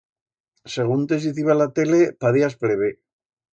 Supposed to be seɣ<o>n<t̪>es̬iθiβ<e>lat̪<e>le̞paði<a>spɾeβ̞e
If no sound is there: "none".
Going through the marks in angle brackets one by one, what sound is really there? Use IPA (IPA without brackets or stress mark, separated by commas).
u, t̪, a, e, a